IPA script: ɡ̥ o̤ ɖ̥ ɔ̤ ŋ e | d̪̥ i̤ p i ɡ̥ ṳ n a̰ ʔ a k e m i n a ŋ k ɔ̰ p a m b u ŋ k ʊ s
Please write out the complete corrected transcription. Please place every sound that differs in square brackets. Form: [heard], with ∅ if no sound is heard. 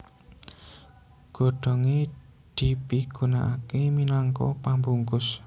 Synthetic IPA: ɡ̥ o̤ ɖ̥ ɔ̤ ŋ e | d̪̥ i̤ p i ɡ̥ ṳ n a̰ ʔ a k e m i n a ŋ k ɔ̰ p a m b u ŋ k ʊ s